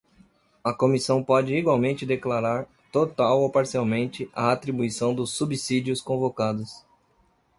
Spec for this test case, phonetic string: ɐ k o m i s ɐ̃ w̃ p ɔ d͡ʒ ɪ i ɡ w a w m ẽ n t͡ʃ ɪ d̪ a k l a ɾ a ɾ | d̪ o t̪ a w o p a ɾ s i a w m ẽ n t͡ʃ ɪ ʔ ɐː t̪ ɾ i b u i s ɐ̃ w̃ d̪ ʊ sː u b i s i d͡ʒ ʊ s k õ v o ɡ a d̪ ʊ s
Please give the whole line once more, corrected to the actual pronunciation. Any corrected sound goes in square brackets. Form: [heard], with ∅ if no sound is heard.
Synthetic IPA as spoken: ɐ k o m i s ɐ̃ w̃ p ɔ d͡ʒ ɪ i ɡ w a w m ẽ n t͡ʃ ɪ d̪ [e] k l a ɾ a ɾ | [t̪] o t̪ a w o p a ɾ s i a w m ẽ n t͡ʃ ɪ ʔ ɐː t̪ ɾ i b u i s ɐ̃ w̃ d̪ ʊ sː u b i s i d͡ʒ ʊ s k õ v o [k] a d̪ ʊ s